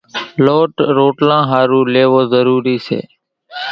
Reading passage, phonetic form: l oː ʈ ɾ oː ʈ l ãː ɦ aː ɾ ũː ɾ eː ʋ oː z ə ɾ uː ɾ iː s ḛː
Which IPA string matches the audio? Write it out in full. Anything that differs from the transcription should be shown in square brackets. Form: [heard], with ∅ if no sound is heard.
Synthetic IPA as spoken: l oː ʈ ɾ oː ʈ l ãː ɦ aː ɾ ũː [l] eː ʋ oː z ə ɾ uː ɾ iː s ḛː